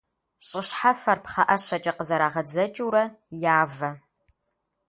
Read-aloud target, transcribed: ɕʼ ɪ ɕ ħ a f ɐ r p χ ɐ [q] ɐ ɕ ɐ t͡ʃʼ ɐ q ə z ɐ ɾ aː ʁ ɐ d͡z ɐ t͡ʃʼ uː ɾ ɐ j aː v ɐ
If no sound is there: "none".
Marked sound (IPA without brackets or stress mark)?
ʔ